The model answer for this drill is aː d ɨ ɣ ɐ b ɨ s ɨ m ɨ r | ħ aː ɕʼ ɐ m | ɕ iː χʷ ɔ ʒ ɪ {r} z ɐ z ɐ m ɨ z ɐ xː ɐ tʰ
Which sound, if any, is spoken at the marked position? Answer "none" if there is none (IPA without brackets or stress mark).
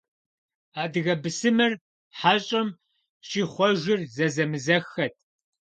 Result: r